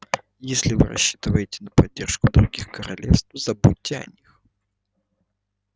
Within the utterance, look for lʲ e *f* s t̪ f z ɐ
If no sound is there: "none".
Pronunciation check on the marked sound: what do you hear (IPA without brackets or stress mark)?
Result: f